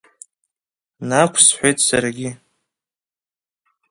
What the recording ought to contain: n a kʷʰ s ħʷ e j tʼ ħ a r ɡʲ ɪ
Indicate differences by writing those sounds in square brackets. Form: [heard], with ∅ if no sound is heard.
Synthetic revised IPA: n a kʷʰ s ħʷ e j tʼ [s] a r ɡʲ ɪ